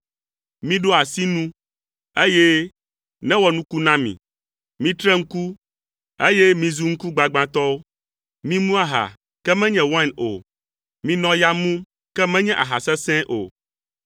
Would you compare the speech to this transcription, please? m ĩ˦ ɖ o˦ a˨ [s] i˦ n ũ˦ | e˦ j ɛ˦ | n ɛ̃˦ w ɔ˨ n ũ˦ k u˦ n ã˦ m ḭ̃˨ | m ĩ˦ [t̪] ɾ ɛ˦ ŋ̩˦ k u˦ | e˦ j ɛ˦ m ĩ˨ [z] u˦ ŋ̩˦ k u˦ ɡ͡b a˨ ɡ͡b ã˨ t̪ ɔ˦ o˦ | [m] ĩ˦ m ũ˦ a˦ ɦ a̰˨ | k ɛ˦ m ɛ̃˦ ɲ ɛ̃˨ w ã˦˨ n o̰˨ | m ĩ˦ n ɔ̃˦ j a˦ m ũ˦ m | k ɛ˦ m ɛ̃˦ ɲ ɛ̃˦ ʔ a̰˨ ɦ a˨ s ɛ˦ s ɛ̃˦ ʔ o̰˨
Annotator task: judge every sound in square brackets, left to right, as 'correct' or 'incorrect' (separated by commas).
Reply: correct, correct, correct, correct